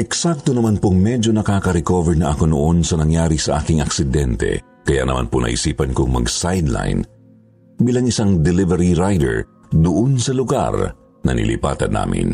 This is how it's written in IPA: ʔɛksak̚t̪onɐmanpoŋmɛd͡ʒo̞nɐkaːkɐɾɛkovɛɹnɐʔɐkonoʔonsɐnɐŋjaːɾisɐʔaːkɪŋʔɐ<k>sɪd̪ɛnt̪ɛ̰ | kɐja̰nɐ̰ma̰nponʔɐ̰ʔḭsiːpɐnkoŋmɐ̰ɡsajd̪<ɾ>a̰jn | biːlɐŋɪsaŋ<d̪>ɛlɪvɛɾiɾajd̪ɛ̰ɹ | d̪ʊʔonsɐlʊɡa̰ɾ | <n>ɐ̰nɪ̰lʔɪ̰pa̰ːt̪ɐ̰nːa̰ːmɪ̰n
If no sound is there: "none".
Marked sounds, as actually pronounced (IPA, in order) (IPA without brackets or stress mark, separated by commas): k, l, d̪, n